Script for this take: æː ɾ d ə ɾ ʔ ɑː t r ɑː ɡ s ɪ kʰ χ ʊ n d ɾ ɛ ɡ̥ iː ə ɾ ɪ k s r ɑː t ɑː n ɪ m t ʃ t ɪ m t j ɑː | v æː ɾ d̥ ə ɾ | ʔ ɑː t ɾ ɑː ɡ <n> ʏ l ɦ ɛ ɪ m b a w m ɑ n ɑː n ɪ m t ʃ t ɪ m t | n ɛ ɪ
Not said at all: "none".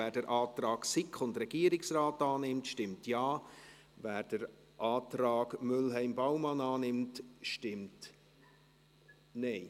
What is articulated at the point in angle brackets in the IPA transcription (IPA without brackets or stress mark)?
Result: m